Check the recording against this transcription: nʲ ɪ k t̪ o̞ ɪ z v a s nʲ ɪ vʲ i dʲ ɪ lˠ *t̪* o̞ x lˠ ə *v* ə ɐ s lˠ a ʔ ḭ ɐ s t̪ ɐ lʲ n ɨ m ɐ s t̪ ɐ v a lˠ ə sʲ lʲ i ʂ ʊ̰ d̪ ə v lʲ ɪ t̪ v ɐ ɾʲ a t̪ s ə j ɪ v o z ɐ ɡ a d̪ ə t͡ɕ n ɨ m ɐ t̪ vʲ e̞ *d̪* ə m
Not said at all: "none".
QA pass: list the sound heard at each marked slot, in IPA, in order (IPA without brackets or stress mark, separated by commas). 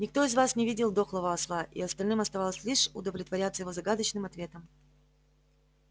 d̪, v, t̪